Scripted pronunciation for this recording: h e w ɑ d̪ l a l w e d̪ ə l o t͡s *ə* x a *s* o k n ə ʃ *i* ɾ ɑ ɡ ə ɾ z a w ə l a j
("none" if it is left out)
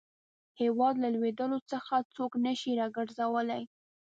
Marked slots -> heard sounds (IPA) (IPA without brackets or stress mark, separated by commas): ə, t͡s, i